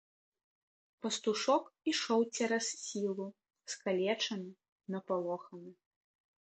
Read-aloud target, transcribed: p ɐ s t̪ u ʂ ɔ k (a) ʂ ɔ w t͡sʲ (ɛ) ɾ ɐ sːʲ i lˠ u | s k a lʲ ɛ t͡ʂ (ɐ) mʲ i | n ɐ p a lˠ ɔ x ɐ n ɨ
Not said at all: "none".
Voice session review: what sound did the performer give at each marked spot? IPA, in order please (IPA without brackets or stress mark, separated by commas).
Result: i, ɛ, ɐ